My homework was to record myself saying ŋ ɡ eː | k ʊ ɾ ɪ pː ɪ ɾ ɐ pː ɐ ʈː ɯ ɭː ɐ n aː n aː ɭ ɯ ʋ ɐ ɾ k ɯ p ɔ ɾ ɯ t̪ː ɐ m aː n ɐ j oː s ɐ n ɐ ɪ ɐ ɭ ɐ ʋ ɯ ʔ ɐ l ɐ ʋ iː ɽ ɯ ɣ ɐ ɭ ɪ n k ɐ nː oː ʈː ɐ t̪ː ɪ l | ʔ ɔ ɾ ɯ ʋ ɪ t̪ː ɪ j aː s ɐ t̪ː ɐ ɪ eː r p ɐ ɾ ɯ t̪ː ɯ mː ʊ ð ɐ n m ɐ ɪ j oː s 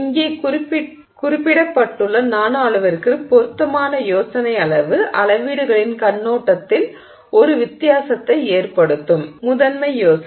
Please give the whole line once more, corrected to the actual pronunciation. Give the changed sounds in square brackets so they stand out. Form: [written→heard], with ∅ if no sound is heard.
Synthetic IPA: ŋ ɡ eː | k ʊ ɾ ɪ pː ɪ [ɾ→ɽ] ɐ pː ɐ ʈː ɯ ɭː ɐ n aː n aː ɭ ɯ ʋ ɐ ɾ k ɯ p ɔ ɾ ɯ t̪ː ɐ m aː n ɐ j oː s ɐ n ɐ ɪ ɐ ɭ ɐ ʋ ɯ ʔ ɐ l ɐ ʋ iː ɽ ɯ ɣ ɐ ɭ ɪ n k ɐ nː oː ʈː ɐ t̪ː ɪ l | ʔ ɔ ɾ ɯ ʋ ɪ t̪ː ɪ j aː s ɐ t̪ː ɐ ɪ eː r p ɐ [ɾ→ɽ] ɯ t̪ː ɯ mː ʊ ð ɐ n m ɐ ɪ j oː s